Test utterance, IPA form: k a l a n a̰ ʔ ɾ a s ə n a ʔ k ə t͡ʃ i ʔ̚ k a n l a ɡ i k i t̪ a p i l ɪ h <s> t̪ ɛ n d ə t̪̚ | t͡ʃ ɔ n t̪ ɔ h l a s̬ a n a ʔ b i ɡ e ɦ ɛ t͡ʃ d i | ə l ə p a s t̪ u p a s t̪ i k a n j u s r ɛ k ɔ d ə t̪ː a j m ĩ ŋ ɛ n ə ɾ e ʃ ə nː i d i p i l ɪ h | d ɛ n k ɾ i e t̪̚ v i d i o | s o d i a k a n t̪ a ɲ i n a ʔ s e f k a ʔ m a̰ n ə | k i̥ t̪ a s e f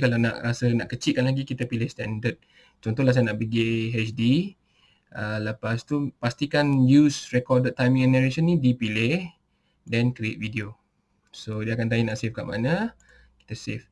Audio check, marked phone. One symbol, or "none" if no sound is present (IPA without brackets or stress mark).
s